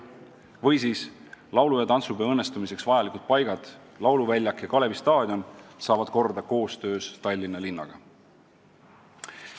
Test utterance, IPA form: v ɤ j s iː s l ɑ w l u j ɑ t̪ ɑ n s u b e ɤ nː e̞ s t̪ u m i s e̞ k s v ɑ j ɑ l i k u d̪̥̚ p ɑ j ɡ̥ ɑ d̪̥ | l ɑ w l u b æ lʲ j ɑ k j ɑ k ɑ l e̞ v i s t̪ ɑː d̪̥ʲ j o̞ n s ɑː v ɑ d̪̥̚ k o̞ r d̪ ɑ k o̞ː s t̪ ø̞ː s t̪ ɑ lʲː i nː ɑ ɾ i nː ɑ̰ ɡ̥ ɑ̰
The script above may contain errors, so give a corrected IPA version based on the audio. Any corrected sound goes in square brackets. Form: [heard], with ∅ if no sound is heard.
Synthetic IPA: v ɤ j s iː s l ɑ w l u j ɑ t̪ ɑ n s u b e ɤ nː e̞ s t̪ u m i s e̞ k s v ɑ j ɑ l i k u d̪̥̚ p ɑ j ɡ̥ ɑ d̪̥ | l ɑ w l u [v] æ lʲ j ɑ k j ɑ k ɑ l e̞ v i s t̪ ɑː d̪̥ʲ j o̞ n s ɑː v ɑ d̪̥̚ k o̞ r d̪ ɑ k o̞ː s t̪ ø̞ː s t̪ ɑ lʲː i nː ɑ [l] i nː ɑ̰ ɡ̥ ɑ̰